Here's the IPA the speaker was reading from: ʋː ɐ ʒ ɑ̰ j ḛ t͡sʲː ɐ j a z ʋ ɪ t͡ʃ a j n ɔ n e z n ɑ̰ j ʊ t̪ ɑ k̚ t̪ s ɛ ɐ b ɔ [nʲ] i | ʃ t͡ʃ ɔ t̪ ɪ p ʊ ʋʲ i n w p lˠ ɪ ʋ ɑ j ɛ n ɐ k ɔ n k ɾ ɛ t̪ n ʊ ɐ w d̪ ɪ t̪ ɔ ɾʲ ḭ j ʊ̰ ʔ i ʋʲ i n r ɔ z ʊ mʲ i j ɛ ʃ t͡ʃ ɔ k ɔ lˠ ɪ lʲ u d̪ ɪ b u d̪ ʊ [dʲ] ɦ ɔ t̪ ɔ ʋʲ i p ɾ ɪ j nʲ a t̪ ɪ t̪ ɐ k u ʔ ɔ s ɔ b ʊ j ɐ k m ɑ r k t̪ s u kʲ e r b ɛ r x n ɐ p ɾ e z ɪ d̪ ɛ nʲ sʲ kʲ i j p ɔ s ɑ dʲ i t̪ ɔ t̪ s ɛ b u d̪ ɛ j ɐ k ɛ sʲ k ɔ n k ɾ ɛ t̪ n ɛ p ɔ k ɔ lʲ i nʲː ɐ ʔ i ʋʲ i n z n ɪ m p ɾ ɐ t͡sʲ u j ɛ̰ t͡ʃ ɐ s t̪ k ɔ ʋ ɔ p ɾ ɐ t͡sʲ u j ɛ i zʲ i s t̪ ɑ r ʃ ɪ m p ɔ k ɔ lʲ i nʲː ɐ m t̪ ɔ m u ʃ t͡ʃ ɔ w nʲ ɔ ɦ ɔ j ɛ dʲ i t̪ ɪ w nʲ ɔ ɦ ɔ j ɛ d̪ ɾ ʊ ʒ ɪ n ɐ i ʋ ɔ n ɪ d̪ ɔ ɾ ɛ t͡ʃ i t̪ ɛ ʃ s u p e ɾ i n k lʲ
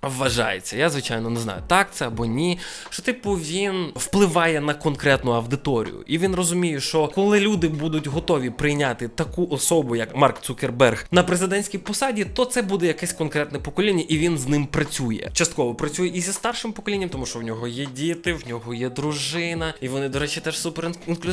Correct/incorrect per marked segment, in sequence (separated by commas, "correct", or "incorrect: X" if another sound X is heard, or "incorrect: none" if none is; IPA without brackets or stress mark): correct, incorrect: tʲ